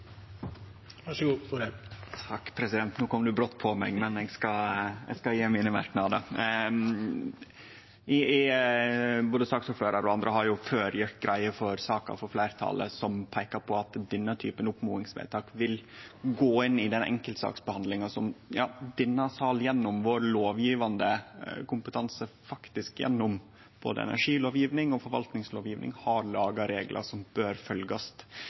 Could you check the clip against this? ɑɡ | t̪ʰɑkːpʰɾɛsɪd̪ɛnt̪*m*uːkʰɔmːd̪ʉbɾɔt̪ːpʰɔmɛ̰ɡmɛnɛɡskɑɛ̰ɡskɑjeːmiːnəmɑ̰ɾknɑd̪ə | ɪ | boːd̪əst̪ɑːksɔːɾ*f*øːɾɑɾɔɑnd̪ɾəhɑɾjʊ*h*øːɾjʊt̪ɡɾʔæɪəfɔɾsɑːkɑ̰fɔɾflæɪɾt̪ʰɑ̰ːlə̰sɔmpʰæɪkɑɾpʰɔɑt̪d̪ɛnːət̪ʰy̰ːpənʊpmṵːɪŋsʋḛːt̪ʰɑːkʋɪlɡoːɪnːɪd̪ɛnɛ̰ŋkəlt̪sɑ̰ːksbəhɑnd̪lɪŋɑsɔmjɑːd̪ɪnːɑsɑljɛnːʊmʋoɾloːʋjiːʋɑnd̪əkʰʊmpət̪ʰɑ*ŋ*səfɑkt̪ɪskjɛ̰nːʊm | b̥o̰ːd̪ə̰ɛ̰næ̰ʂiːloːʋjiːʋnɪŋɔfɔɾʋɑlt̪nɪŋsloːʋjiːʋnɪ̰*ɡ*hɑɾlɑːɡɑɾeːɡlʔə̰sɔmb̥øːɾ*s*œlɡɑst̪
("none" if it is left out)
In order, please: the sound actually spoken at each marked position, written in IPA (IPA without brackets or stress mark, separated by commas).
n, f, f, n, ŋ, f